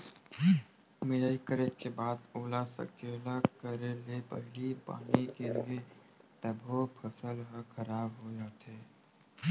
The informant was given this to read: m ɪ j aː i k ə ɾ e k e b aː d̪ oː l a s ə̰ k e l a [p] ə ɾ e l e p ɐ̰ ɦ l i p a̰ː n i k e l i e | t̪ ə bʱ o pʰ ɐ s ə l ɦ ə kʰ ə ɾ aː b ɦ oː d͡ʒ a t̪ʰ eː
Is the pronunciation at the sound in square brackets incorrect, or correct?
incorrect